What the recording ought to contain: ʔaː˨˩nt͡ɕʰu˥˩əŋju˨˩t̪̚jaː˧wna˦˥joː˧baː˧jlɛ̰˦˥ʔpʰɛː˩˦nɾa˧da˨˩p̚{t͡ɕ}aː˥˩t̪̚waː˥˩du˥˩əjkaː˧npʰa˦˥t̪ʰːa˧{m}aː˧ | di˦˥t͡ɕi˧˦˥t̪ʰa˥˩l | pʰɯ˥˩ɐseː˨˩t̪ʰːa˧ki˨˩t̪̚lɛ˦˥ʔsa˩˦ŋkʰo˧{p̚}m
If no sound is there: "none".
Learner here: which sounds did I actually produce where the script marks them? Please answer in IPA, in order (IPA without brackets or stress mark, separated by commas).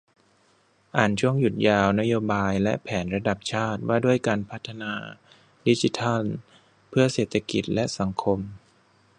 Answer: t͡ɕʰ, n, none